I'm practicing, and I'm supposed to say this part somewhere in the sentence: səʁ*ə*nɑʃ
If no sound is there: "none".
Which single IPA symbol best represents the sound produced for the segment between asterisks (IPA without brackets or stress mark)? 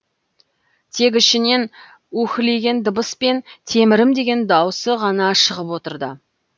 ɑ